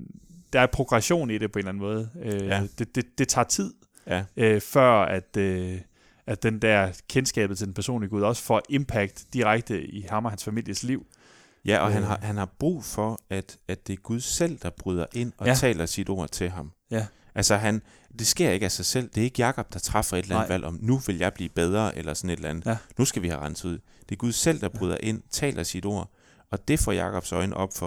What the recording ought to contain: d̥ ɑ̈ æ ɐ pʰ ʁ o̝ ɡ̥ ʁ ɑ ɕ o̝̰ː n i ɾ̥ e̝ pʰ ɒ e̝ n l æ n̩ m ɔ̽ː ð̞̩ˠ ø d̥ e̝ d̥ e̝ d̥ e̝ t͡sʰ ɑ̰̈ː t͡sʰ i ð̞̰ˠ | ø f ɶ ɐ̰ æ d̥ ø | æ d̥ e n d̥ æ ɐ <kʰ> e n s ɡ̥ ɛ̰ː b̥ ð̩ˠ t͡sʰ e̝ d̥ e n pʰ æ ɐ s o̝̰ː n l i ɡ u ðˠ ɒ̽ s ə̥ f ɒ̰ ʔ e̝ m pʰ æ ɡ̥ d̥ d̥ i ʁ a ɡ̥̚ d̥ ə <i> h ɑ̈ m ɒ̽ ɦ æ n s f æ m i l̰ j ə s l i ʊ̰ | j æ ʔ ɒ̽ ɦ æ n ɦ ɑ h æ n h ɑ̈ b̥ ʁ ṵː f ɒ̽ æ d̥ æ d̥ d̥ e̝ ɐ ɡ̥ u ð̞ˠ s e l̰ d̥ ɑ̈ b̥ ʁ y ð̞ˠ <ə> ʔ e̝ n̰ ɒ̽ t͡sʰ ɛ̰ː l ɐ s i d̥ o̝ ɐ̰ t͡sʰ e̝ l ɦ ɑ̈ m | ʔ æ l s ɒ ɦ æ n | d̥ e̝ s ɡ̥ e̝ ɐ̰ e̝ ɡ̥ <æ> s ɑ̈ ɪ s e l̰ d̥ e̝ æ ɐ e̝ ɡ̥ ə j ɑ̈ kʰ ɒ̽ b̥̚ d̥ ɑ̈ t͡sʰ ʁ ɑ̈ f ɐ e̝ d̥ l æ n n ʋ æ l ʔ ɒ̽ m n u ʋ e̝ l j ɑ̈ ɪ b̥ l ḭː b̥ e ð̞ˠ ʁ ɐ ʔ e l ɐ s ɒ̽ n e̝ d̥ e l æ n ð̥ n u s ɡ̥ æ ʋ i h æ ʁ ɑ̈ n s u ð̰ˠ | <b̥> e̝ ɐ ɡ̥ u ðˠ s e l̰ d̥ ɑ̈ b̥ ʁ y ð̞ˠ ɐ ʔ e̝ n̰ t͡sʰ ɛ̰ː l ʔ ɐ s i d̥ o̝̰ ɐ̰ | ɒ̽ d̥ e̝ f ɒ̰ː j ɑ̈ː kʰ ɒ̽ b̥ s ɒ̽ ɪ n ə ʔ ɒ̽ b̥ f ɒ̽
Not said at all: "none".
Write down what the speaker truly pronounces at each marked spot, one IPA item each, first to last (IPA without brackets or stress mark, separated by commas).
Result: kʰ, i, ɐ, æ, d̥